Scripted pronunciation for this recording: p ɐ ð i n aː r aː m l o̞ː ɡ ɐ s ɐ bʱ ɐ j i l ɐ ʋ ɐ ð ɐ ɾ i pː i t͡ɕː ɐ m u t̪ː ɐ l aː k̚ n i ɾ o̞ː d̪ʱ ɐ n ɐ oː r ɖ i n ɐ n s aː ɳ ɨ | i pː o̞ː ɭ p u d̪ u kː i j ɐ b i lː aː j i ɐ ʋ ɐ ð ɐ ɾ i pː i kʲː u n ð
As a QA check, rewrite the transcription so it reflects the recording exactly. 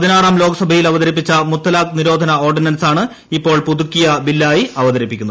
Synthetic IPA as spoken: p ɐ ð i n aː r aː m l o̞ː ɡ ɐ s ɐ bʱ ɐ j i l ɐ ʋ ɐ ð ɐ ɾ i pː i t͡ɕː ɐ m u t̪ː ɐ l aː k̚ n i ɾ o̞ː d̪ʱ ɐ n ɐ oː r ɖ i n ɐ n s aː ɳ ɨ | i pː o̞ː ɭ p u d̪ u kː i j ɐ b i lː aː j i ɐ ʋ ɐ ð ɐ ɾ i pː i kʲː u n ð